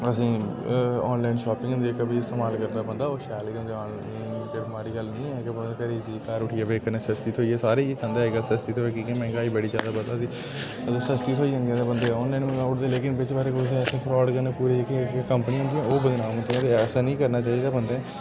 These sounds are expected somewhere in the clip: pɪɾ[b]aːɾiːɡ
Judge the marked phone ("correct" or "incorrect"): incorrect